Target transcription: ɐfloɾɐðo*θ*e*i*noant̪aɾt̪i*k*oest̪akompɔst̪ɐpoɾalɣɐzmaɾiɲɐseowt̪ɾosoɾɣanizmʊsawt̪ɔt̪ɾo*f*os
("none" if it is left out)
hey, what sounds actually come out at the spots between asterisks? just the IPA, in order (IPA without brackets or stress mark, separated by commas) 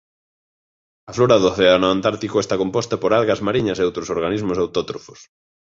θ, a, k, f